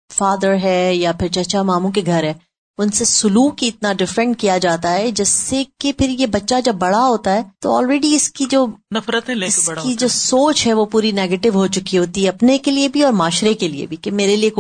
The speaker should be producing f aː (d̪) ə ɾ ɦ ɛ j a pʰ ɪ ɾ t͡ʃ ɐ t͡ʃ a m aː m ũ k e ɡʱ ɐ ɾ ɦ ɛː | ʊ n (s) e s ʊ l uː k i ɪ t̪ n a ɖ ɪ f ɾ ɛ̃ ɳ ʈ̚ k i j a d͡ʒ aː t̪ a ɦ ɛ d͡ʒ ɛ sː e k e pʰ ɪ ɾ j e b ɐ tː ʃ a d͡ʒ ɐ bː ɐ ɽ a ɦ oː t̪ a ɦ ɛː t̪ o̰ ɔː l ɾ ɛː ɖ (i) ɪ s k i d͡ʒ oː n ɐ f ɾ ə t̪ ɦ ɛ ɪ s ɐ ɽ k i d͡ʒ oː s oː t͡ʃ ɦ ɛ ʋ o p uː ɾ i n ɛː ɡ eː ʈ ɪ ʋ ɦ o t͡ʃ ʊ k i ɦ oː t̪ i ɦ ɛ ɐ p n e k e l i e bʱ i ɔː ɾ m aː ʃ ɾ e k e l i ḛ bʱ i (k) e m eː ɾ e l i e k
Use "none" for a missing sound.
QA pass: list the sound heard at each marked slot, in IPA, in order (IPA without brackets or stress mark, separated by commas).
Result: d̪, s, i, k